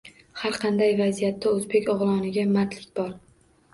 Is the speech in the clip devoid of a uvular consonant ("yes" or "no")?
no